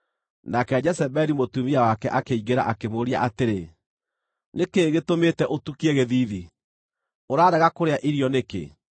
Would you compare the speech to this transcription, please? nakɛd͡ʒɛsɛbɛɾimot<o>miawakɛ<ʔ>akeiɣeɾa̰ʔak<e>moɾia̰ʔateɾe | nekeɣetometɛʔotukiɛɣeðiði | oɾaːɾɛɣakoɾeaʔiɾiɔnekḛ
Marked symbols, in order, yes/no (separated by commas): no, yes, yes